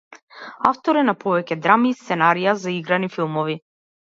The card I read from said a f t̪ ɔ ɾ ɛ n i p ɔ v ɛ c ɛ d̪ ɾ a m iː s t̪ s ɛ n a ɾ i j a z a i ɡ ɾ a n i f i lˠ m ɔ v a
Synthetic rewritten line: a f t̪ ɔ ɾ ɛ n a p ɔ v ɛ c ɛ d̪ ɾ a m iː s t̪ s ɛ n a ɾ i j a z a i ɡ ɾ a n i f i lˠ m ɔ v i